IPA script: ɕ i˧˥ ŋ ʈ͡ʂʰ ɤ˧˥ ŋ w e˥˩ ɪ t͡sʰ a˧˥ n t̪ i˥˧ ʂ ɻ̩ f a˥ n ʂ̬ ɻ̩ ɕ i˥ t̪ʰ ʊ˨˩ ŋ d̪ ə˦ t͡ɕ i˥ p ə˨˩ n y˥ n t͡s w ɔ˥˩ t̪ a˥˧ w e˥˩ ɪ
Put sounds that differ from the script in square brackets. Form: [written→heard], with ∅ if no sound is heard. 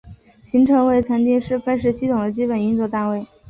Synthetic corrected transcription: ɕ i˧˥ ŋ ʈ͡ʂʰ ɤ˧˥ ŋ w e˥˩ ɪ t͡sʰ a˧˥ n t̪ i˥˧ ʂ ɻ̩ f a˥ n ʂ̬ ɻ̩ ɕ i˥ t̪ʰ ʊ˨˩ ŋ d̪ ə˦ t͡ɕ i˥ p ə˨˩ n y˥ n t͡s w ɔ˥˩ t̪ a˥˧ w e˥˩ ɪ